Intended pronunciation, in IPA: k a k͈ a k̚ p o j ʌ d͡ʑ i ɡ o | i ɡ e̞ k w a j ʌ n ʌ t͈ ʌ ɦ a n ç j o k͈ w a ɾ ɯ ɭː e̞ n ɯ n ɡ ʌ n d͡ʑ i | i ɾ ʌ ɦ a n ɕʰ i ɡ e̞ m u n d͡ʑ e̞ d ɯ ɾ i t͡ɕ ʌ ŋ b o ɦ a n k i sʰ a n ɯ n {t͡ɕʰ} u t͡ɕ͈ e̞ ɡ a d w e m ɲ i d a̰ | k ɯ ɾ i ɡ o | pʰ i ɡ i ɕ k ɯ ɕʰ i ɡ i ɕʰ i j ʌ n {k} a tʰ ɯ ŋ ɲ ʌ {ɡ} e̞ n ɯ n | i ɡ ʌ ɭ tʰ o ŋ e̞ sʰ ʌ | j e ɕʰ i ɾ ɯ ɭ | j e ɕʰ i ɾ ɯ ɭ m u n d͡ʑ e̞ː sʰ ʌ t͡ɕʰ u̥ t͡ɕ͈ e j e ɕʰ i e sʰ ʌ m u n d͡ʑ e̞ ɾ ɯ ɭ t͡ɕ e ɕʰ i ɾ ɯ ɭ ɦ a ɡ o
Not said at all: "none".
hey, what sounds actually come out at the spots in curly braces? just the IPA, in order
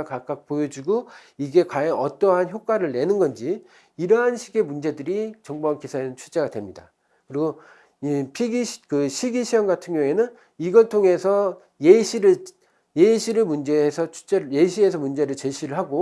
t͡ɕʰ, ɡ, ŋ

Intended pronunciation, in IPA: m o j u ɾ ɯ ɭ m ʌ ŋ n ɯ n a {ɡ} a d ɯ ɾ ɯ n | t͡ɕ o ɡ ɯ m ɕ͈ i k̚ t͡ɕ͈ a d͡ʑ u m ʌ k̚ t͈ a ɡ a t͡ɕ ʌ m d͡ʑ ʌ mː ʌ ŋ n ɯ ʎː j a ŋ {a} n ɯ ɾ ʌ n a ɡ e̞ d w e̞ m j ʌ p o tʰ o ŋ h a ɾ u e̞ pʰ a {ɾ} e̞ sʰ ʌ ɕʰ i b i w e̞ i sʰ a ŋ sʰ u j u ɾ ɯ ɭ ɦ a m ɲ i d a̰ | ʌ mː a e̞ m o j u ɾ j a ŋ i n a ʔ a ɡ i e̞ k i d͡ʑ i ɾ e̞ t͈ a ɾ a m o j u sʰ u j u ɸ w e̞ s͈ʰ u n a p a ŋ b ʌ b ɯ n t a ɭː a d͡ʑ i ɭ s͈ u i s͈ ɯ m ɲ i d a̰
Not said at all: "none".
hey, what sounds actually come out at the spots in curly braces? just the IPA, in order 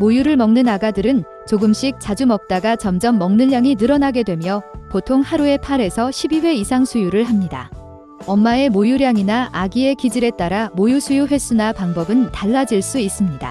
ɡ, i, ɾ

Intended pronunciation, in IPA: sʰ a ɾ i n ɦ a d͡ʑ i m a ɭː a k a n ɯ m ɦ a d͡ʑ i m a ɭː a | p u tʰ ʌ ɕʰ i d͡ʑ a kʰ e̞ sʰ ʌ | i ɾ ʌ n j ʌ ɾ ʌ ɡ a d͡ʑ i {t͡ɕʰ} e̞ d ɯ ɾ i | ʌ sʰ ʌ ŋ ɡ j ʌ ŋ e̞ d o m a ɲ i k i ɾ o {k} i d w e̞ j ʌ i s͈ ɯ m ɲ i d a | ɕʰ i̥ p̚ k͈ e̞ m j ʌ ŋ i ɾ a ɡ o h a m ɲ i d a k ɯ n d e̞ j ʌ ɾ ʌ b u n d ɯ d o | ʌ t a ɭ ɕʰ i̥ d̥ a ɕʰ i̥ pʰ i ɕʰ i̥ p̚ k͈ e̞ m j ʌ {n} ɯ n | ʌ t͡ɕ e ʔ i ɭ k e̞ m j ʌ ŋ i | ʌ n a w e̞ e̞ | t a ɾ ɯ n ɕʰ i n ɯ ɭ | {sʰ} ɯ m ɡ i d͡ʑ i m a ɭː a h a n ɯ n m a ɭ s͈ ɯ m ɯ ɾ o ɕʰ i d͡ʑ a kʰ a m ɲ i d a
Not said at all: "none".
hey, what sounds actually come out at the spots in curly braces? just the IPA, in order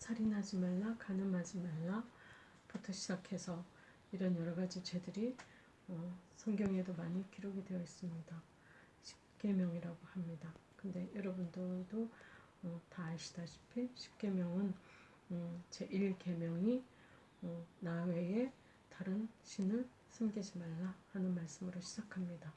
t͡ɕ, ɡ, ŋ, sʰ

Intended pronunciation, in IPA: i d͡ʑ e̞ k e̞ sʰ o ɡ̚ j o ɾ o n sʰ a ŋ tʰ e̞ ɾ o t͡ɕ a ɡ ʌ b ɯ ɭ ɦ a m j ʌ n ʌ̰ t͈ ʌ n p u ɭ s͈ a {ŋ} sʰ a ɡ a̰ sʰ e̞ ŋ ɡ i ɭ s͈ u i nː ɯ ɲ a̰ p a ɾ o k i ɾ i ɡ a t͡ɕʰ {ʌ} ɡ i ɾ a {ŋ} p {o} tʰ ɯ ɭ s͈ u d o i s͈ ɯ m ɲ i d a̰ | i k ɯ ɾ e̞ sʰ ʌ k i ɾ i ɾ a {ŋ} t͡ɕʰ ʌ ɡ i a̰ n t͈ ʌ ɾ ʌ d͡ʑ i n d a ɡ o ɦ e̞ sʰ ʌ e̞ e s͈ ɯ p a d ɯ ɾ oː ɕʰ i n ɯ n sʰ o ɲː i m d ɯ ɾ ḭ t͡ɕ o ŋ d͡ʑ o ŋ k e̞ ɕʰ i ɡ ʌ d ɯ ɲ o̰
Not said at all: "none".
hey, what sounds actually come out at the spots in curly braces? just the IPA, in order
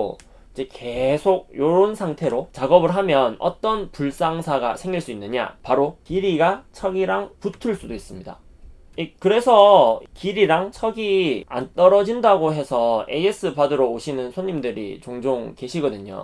ŋ, ʌ, ŋ, u, ŋ

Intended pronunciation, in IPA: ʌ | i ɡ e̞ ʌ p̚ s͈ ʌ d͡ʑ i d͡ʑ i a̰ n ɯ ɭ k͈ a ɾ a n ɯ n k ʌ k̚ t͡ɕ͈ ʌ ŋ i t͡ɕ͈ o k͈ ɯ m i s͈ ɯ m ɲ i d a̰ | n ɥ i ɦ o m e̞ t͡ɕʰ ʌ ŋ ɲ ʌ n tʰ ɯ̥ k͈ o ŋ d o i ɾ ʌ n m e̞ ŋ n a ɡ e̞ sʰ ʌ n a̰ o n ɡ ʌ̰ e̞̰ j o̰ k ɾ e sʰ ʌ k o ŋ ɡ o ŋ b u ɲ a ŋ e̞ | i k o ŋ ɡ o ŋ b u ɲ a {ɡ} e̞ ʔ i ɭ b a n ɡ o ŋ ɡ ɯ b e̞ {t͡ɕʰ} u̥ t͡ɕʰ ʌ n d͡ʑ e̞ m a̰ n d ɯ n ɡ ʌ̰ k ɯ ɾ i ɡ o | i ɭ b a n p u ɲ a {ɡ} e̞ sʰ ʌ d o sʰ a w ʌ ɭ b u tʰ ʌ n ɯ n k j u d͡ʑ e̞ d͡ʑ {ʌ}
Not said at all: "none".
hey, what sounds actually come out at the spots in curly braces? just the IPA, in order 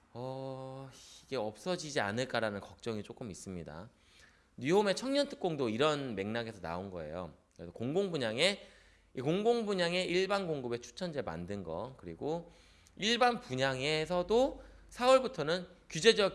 ŋ, t͡ɕʰ, ŋ, ʌ

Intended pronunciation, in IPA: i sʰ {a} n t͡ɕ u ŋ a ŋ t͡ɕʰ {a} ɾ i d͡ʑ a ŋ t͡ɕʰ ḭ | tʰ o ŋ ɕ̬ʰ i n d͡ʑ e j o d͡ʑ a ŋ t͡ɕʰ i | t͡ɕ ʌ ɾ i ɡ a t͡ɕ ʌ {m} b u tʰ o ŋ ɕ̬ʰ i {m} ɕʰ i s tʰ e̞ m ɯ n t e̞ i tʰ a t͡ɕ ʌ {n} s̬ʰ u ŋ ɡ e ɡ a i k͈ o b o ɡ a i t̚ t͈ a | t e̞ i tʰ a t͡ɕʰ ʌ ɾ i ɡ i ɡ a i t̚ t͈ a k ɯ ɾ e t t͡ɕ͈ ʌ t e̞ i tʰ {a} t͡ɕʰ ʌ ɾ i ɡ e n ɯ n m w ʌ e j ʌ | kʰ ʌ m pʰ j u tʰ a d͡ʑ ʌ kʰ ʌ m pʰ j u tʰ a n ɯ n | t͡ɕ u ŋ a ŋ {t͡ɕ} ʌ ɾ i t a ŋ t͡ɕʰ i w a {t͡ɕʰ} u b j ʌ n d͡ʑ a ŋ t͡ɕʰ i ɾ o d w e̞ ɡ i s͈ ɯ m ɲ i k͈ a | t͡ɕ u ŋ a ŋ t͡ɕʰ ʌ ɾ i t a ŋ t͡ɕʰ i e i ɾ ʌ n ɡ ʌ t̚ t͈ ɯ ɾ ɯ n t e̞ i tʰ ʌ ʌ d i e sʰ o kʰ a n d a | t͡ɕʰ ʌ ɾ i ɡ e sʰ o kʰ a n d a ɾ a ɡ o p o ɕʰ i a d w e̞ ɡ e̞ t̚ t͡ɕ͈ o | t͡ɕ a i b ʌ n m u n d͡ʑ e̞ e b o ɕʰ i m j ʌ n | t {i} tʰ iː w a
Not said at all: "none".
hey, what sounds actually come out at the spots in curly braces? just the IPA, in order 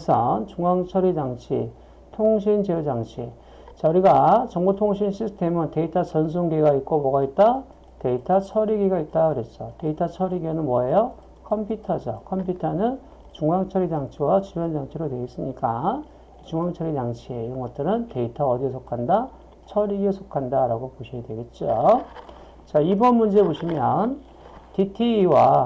ʌ, ʌ, ŋ, n, n, a, t͡ɕʰ, t͡ɕ, i

